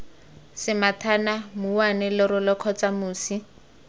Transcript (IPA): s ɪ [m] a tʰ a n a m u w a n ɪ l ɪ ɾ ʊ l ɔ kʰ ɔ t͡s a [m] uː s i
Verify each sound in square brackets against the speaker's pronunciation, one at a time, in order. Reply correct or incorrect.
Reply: correct, correct

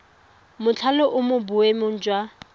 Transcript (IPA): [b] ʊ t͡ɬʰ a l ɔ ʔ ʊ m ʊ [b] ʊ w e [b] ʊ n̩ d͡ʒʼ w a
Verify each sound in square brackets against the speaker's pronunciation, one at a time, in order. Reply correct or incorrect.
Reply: incorrect: m, correct, incorrect: m

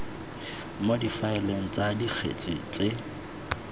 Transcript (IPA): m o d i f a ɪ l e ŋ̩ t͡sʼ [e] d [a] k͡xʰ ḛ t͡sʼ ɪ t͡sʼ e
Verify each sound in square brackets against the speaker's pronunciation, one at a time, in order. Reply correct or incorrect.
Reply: incorrect: a, incorrect: i

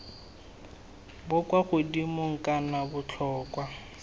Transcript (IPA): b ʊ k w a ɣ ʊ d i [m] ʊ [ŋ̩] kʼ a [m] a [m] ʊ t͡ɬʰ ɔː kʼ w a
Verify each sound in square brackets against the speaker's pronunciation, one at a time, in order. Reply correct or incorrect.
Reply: correct, correct, incorrect: n, incorrect: b

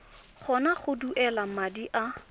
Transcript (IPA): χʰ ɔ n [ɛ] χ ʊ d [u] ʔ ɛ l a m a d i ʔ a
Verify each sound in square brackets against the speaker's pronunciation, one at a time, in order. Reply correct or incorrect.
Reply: incorrect: a, correct

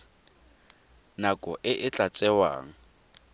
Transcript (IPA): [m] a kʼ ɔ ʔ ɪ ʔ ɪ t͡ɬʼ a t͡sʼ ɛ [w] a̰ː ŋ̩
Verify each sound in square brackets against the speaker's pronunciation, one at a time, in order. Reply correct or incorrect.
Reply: incorrect: n, correct

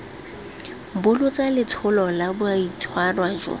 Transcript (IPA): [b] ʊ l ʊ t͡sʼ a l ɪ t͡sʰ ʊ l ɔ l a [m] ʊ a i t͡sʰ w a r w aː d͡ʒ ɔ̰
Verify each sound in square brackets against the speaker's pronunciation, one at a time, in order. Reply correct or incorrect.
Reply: correct, incorrect: b

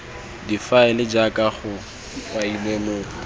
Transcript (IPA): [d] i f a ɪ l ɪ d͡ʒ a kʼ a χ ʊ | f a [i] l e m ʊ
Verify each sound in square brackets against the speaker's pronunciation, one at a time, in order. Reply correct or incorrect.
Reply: correct, correct

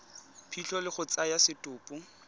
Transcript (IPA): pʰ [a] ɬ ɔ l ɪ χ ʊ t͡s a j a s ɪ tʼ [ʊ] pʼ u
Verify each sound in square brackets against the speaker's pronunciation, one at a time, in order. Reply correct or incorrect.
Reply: incorrect: i, incorrect: ʊː

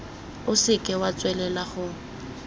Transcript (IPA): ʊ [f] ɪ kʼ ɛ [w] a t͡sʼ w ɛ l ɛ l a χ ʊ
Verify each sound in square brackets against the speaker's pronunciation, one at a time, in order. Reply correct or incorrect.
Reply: incorrect: s, correct

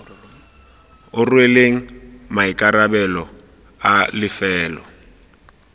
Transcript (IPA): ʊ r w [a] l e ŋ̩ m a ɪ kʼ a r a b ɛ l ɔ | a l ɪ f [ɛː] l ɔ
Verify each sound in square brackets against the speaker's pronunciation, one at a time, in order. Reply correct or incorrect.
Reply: incorrect: e, correct

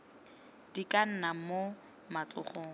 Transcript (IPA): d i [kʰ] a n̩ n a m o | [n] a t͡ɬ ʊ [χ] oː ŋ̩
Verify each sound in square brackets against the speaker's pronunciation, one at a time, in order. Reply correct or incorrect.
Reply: incorrect: k, incorrect: m, correct

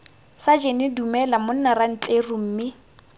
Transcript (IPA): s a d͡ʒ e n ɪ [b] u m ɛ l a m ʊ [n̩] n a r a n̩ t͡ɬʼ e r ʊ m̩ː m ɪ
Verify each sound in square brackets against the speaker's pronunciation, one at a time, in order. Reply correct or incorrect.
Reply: incorrect: d, correct

